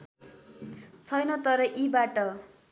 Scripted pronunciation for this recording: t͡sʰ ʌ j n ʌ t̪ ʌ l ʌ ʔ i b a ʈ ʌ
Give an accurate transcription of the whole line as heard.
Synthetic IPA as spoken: t͡sʰ ʌ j n ʌ t̪ ʌ ɾ ʌ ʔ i b a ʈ ʌ